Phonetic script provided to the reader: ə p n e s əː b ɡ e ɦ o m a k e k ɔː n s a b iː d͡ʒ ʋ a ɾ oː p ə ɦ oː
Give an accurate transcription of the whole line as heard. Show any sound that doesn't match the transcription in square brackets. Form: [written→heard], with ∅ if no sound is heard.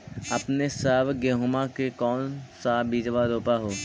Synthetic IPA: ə p n e s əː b ɡ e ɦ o m a k e k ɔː n s a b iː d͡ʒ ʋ a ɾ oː p [ə→a] ɦ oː